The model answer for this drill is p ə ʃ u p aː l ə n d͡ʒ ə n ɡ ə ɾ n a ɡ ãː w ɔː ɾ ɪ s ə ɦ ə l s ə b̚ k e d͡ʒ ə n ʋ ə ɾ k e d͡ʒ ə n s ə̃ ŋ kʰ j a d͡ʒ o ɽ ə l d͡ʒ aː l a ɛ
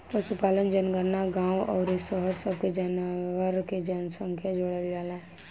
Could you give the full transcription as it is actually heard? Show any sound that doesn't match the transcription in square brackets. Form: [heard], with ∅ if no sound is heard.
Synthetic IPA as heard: p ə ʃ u p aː l ə n d͡ʒ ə n ɡ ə ɾ n a ɡ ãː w ɔː ɾ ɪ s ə ɦ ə [ɾ] s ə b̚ k e d͡ʒ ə n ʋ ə ɾ k e d͡ʒ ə n s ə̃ ŋ kʰ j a d͡ʒ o ɽ ə l d͡ʒ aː l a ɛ